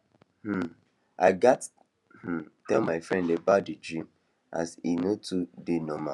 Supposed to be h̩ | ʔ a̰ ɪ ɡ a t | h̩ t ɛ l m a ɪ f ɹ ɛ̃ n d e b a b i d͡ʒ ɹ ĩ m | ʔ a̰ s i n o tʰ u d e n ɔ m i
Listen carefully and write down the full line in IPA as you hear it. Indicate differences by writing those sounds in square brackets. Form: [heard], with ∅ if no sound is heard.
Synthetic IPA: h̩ | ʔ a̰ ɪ ɡ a t | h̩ t ɛ l m a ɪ f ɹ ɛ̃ n d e b a [d] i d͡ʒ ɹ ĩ m | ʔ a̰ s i n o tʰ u d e n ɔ m [a]